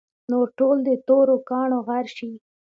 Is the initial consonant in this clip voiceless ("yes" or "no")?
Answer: no